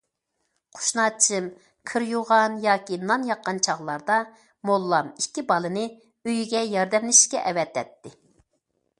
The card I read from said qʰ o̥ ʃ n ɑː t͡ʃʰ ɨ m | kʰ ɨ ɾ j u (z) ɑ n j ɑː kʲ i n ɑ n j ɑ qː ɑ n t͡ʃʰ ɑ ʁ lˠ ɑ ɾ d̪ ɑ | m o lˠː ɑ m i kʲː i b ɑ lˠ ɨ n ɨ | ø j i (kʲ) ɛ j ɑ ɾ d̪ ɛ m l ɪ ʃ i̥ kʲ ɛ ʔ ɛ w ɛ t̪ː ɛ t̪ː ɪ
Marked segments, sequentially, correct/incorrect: incorrect: ʁ, incorrect: ɡʲ

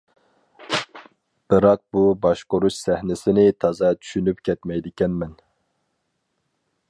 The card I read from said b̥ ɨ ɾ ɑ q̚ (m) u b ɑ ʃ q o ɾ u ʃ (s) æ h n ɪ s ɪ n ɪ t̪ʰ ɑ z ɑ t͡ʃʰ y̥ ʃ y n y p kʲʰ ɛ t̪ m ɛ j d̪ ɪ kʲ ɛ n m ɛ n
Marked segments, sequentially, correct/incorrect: incorrect: b, correct

